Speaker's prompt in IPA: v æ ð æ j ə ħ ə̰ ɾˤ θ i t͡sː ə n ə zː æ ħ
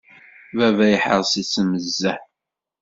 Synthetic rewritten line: v æ v æ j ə ħ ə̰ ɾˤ s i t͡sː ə m ə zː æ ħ